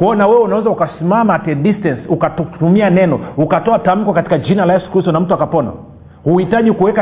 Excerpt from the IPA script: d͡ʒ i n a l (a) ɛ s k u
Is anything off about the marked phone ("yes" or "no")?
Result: no